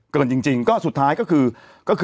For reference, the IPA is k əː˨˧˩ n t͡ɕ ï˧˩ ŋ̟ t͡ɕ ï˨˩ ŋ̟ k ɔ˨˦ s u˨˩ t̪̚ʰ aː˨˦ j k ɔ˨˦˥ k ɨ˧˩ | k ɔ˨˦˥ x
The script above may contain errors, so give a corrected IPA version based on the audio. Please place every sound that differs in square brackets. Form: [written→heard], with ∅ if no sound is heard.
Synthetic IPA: k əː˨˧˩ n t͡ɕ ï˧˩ ŋ̟ t͡ɕ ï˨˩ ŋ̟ k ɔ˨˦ s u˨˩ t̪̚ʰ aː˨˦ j k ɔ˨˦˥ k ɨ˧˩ | k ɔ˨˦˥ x